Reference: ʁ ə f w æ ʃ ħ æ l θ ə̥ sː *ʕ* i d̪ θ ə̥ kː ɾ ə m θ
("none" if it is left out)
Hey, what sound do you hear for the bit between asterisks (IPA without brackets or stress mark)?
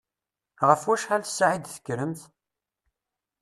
ʕ